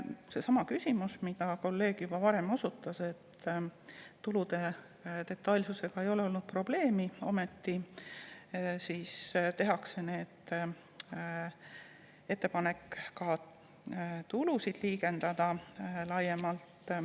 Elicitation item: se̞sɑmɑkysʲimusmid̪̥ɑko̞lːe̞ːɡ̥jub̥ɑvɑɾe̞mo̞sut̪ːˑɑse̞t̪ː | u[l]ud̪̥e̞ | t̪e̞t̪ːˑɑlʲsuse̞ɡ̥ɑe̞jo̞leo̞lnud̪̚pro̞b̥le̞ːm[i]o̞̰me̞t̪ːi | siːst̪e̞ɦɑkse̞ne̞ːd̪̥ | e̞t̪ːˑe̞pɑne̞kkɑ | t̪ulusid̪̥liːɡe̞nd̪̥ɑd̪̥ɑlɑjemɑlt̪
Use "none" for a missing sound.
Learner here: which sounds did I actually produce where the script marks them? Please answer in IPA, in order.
l, i

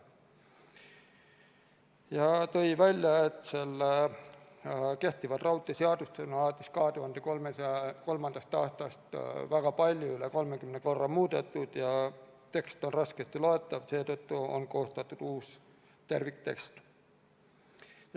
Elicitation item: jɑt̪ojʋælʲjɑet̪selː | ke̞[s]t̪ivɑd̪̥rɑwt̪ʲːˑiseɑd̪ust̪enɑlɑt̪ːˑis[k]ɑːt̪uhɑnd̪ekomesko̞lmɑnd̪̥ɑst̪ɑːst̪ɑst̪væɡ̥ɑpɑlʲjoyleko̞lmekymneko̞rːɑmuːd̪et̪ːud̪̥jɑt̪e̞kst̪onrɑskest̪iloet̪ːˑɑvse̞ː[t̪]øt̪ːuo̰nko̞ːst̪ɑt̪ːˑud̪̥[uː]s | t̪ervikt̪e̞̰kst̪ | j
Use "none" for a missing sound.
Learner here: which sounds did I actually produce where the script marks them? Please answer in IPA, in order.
h, k, t̪, uː

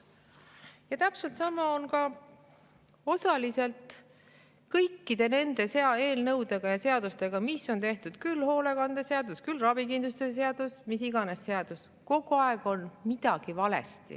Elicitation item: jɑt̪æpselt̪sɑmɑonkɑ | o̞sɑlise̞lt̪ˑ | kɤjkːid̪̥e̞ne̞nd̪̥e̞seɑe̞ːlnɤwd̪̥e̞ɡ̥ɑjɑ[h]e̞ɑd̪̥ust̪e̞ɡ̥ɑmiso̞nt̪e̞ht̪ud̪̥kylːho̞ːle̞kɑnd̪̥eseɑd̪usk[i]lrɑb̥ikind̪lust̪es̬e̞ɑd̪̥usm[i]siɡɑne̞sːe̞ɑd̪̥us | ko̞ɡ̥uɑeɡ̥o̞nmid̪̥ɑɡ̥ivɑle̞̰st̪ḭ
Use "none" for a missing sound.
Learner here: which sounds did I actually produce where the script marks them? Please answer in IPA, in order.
s, y, i

